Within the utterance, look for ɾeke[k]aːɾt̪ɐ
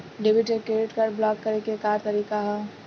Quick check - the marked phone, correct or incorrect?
correct